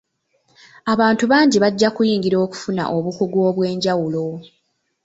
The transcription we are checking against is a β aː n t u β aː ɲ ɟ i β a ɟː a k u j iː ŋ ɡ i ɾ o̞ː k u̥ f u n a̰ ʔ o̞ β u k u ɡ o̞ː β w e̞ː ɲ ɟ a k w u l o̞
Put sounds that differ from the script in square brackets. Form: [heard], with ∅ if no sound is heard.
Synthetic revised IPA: a β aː n t u β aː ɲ ɟ i β a ɟː a k u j iː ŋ ɡ i ɾ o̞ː k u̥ f u n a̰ ʔ o̞ β u k u ɡ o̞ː β w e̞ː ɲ ɟ a [∅] w u l o̞